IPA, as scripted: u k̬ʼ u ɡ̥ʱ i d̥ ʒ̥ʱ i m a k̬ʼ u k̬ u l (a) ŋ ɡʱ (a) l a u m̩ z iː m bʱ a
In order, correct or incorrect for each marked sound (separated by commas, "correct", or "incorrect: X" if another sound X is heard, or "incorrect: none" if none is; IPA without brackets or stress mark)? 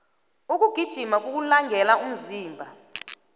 correct, incorrect: ɛ